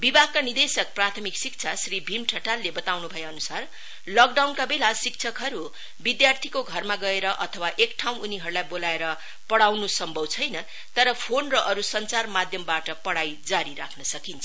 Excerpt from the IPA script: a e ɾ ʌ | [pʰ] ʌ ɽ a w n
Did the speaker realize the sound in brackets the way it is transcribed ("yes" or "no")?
no